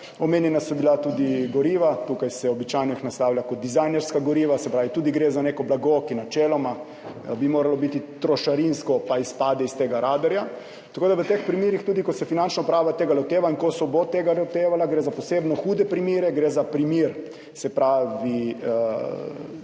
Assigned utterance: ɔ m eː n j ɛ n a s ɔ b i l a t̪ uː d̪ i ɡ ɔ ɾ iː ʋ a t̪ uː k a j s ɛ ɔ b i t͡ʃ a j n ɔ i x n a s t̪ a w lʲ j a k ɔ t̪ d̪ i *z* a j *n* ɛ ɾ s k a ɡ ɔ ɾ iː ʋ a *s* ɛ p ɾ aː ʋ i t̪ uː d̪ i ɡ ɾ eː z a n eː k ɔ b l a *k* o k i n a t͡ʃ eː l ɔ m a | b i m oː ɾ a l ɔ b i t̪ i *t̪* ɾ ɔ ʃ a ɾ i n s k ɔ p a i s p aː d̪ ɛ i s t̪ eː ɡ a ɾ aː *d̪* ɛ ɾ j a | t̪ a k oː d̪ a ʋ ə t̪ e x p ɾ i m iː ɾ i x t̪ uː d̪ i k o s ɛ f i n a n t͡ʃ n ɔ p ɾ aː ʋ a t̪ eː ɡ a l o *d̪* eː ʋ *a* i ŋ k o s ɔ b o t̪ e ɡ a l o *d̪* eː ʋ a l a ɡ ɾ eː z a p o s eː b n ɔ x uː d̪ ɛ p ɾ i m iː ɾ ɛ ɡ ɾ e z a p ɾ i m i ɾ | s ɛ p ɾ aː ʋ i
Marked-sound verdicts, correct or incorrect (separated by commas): correct, correct, correct, incorrect, correct, correct, incorrect, correct, incorrect